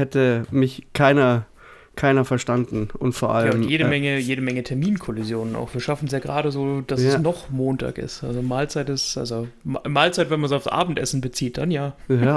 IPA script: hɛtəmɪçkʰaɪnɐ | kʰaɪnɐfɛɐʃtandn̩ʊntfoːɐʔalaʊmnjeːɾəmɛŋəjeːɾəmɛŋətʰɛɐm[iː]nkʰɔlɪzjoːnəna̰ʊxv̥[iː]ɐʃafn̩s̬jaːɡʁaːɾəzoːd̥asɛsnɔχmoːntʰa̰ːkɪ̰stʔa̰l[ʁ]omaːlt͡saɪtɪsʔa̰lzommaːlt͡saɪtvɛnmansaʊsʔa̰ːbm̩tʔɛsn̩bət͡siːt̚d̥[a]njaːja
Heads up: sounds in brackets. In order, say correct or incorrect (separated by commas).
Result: correct, correct, incorrect, correct